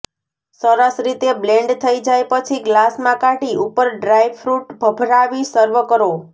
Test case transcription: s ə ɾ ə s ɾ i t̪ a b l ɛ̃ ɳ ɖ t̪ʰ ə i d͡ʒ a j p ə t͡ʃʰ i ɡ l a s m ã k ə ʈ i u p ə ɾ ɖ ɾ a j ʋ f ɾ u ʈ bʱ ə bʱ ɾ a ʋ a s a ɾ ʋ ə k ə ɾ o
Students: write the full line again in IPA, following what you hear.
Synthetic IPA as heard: s ə ɾ ə s ɾ i t̪ e b l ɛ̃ ɳ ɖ t̪ʰ ə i d͡ʒ a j p ə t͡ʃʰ i ɡ l a s m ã k a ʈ i u p ə ɾ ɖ ɾ a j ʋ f ɾ u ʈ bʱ ə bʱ ɾ a ʋ i s ə ɾ ʋ ə k ə ɾ o